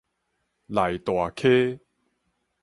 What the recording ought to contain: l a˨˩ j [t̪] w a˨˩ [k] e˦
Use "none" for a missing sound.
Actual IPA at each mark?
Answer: t̪, kʰ

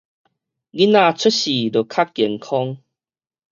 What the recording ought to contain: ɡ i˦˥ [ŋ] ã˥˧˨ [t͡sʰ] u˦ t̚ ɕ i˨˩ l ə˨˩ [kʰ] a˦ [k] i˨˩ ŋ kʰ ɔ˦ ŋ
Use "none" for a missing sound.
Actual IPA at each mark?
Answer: n, t͡sʰ, kʰ, k

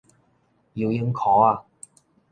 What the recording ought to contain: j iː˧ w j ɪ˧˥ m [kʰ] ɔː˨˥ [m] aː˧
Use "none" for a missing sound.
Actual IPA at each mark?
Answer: kʰ, none

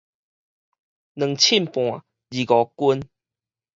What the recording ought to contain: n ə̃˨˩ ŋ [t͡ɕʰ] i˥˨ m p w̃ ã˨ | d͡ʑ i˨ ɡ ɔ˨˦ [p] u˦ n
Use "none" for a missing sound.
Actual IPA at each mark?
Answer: t͡ɕʰ, k

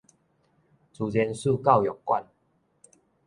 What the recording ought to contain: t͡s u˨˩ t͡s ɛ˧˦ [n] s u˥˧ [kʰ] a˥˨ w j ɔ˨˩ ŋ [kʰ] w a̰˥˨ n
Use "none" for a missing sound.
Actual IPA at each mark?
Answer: n, k, k

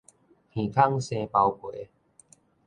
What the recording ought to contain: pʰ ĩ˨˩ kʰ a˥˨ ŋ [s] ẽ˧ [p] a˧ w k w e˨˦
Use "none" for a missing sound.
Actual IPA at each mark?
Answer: s, p

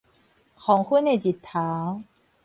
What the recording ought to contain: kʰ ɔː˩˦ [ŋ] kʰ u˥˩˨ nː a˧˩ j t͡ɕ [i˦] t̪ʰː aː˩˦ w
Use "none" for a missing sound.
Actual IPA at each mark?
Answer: ŋ, i˨˩

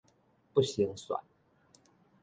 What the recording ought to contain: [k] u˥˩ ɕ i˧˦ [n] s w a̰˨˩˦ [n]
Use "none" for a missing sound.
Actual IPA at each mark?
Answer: p, ŋ, n

